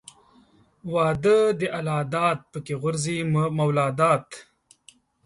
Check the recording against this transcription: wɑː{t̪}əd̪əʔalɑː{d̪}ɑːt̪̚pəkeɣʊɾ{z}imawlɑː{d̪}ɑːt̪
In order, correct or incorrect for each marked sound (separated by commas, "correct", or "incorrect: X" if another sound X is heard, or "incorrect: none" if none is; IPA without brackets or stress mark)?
incorrect: d̪, correct, correct, correct